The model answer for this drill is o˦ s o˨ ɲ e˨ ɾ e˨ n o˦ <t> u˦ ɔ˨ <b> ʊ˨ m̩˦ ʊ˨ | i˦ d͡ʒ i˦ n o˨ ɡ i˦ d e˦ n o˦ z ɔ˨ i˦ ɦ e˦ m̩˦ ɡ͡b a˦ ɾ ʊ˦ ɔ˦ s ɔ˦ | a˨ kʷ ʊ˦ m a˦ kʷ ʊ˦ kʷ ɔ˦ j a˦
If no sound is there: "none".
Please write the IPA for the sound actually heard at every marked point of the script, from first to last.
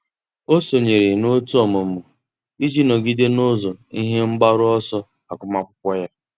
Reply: t, m

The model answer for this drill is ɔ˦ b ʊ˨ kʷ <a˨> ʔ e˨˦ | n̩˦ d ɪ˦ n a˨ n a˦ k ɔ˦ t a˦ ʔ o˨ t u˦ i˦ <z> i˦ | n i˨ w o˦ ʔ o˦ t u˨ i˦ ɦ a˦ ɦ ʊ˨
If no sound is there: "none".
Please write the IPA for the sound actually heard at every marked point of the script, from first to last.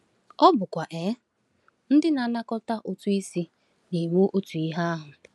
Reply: a˨, s

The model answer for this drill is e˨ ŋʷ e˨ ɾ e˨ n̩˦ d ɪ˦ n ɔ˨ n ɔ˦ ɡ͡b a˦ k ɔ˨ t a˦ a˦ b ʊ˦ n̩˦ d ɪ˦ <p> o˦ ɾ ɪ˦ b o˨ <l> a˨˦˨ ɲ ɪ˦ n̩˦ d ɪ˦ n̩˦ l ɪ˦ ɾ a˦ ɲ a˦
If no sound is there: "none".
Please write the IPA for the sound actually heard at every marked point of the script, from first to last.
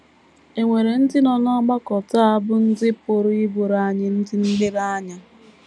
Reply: p, ɾ

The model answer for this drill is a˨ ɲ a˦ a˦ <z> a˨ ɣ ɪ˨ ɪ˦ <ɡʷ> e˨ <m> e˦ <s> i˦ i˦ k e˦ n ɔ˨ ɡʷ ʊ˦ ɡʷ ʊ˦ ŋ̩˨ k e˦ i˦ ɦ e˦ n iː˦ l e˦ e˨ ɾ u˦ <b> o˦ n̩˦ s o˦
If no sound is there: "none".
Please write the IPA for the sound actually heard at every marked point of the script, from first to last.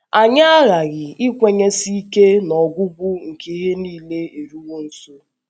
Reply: ɣ, kʷ, ɲ, s, w

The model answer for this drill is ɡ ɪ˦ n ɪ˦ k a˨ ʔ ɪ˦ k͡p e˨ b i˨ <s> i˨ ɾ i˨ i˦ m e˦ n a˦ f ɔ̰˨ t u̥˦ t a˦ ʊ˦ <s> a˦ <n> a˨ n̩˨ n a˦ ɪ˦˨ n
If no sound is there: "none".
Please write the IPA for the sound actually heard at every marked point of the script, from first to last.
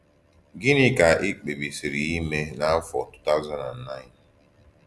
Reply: s, z, n

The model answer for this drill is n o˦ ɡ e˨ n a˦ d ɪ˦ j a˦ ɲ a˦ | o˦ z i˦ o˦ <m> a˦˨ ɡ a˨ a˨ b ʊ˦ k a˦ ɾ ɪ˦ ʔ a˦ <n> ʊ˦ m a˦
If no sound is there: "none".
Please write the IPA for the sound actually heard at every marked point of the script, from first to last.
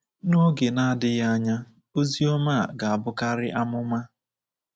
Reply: m, m

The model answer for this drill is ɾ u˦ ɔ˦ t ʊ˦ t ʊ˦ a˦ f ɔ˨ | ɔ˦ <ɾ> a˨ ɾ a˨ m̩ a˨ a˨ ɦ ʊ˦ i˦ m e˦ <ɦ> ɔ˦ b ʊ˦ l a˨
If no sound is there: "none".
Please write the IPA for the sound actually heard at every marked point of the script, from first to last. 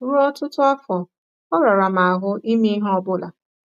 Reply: ɾ, ɦ

